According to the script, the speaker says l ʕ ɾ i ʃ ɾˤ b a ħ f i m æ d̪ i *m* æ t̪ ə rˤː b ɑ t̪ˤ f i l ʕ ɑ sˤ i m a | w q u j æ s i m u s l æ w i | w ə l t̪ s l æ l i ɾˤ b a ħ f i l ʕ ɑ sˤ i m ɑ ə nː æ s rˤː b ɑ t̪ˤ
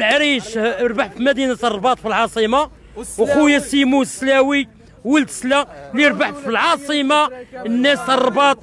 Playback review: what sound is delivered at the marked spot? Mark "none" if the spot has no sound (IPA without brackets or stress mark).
n